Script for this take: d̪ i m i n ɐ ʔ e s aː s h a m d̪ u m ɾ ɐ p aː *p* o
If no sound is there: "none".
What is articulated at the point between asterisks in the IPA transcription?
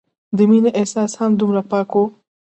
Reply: k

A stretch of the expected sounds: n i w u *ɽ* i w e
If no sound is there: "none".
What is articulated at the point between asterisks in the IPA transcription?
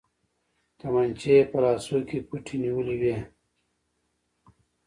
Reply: l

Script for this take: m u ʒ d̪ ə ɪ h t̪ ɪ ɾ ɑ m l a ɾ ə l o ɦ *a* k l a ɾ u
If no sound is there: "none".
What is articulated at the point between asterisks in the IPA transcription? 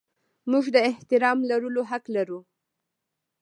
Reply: a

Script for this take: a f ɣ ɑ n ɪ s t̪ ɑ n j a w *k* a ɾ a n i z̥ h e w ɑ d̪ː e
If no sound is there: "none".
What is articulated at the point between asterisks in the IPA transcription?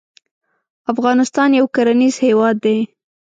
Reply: k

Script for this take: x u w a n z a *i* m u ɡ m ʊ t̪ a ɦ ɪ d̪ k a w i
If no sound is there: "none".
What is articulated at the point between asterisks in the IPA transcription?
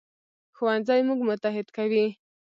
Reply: j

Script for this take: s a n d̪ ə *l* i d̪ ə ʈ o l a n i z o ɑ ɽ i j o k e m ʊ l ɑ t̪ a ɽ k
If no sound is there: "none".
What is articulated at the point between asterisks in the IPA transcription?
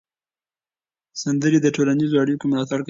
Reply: ɾ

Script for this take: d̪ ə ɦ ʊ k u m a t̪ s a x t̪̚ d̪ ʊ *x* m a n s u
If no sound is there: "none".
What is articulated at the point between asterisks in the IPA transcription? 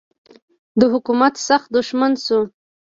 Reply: ʃ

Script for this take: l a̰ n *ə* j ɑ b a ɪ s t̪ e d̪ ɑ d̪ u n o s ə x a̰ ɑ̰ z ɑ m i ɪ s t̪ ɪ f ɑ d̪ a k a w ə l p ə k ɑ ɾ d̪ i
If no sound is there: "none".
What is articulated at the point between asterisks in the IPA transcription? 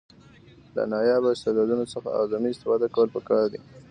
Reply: ɑ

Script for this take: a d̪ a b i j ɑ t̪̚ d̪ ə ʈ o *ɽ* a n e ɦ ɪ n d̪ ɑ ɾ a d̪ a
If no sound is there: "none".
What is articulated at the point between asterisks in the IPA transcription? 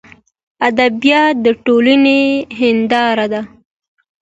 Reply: l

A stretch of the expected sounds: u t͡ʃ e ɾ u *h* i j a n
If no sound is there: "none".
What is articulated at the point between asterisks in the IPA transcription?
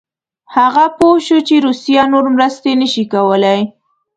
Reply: s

